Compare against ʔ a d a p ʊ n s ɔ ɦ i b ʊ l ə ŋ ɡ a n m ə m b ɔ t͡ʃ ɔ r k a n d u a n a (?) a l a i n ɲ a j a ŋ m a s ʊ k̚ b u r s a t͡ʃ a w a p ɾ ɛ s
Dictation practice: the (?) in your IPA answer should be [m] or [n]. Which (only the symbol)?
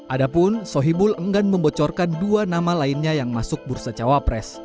m